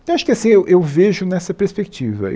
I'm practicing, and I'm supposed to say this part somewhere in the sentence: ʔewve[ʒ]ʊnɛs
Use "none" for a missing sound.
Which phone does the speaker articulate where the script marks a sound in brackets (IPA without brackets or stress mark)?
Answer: ʒ